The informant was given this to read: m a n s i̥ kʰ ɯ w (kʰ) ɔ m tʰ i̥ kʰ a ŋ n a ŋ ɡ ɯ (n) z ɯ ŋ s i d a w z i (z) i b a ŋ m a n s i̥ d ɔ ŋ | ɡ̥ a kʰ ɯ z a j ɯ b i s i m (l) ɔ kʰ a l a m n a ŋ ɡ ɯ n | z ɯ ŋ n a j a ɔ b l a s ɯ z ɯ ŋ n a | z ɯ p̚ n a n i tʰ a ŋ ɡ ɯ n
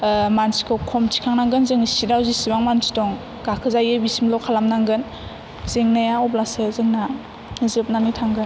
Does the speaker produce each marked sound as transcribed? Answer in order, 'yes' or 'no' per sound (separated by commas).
yes, yes, no, yes